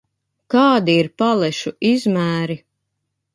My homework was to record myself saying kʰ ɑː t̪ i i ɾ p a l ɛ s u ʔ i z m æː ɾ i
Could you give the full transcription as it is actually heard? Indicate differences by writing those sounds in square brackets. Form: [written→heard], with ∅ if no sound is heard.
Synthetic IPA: [kʰ→k] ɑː [t̪→d̪] i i ɾ p a l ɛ [s→ʃ] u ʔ i z m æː ɾ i